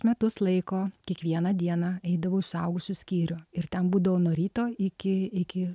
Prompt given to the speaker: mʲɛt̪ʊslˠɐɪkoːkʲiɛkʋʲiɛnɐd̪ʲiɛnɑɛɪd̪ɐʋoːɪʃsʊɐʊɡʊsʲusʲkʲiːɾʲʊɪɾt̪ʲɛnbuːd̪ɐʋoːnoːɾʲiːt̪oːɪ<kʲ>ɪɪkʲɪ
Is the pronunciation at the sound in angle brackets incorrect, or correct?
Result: correct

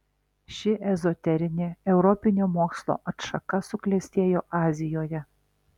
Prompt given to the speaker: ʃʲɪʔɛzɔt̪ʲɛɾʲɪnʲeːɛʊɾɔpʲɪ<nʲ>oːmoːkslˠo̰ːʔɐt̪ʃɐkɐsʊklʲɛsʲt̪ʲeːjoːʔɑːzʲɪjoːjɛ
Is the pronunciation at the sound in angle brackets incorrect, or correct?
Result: correct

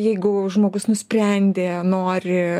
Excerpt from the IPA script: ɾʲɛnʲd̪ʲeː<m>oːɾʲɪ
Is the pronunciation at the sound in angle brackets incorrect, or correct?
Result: incorrect: n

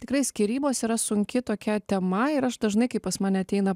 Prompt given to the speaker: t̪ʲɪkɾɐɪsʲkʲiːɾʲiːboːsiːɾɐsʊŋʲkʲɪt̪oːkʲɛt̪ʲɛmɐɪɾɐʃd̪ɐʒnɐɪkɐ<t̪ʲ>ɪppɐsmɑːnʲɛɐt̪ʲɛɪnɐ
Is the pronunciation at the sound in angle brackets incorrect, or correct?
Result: incorrect: none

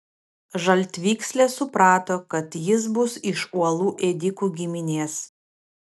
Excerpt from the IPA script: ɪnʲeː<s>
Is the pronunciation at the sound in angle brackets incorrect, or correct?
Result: correct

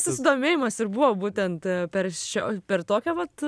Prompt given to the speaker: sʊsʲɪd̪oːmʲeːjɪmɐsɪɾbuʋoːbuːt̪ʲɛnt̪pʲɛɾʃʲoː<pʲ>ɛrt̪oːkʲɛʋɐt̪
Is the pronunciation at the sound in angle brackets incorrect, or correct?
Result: correct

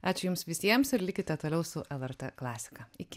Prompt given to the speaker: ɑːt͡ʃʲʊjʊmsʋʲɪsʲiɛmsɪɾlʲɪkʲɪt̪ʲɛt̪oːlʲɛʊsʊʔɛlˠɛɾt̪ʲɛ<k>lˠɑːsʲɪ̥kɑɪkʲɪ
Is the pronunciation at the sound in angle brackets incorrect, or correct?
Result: correct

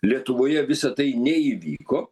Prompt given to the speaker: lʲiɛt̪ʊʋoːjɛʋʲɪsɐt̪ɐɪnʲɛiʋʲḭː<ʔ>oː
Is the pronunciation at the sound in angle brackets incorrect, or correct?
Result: incorrect: k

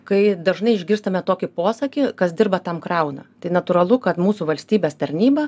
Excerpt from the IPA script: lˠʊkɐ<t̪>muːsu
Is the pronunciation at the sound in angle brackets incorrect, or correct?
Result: correct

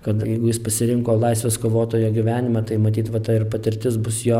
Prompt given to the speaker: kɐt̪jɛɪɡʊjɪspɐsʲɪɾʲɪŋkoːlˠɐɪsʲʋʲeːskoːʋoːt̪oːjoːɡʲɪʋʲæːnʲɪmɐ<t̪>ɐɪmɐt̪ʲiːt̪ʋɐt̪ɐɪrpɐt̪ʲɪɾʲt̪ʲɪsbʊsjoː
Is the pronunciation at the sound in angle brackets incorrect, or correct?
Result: correct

